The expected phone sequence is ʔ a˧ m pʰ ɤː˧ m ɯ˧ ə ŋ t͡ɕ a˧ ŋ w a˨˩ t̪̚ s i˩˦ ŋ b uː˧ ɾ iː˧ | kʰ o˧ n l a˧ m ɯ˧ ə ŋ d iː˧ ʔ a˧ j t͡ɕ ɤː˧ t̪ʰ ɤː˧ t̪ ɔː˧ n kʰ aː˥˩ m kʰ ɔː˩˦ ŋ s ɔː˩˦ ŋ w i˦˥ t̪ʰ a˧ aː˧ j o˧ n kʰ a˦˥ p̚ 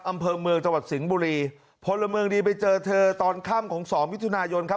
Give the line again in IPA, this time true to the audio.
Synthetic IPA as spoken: ʔ a˧ m pʰ ɤː˧ m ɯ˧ ə ŋ t͡ɕ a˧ ŋ w a˨˩ t̪̚ s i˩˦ ŋ b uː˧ ɾ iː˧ | pʰ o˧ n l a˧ m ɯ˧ ə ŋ d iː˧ p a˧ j t͡ɕ ɤː˧ t̪ʰ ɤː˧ t̪ ɔː˧ n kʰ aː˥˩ m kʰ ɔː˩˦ ŋ s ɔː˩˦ ŋ w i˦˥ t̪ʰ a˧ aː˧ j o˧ n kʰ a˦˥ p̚